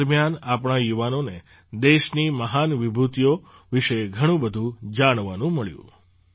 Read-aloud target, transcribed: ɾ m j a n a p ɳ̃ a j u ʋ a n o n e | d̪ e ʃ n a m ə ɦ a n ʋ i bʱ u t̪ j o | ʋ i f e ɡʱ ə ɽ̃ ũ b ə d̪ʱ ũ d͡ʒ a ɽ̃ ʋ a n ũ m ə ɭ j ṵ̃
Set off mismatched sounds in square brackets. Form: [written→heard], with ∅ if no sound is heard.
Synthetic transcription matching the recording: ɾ m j a n a p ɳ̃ a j u ʋ a n o n e | d̪ e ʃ n [a→i] m ə ɦ a n ʋ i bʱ u t̪ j o | ʋ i [f→ʃ] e ɡʱ ə ɽ̃ ũ b ə d̪ʱ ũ d͡ʒ a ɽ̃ ʋ a n ũ m ə ɭ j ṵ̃